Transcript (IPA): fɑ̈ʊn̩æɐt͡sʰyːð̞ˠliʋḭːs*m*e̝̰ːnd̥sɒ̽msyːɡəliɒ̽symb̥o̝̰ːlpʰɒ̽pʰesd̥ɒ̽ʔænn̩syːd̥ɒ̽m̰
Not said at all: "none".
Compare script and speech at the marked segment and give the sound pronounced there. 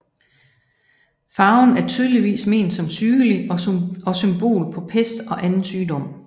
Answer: m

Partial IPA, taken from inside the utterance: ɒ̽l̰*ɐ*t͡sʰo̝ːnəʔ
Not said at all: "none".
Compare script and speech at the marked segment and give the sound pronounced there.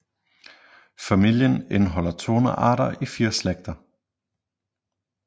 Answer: ɐ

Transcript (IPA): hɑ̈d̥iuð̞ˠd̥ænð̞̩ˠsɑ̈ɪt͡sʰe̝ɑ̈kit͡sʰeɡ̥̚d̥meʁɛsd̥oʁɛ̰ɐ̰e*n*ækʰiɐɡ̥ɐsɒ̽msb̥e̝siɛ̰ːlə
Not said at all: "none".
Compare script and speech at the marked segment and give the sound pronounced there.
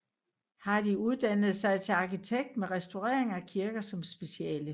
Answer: ŋ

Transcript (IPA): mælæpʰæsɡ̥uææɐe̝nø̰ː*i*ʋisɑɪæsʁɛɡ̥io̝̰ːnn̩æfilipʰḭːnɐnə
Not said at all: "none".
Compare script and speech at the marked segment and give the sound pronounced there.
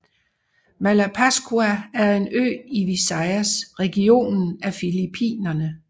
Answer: i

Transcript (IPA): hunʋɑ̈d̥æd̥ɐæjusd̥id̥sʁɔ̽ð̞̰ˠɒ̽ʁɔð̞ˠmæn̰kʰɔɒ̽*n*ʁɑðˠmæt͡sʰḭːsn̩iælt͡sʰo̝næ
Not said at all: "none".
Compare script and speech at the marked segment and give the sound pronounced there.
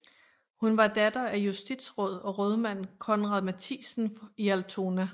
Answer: n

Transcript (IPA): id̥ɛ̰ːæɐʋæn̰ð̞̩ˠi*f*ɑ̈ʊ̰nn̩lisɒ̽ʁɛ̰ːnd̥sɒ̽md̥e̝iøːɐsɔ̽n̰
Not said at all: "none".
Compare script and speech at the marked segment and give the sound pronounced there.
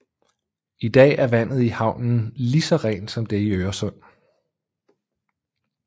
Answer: h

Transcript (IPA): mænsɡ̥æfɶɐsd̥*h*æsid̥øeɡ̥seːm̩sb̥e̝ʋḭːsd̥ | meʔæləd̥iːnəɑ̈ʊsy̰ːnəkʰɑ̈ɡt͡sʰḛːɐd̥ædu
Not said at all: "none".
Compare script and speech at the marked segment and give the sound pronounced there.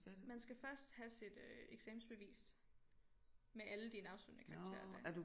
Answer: h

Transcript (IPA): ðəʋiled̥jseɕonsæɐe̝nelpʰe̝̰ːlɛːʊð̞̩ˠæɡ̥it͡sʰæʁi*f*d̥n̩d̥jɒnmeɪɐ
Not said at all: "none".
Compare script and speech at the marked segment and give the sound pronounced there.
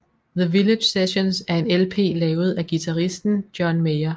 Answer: s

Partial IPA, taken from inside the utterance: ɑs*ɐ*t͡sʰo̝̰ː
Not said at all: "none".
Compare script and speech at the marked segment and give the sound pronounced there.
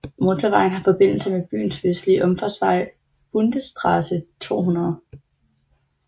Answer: ə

